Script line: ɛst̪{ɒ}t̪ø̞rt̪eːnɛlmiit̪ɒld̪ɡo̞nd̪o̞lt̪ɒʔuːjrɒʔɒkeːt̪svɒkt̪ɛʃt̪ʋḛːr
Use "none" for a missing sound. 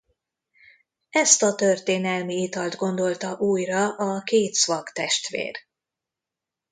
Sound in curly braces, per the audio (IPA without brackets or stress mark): ɒ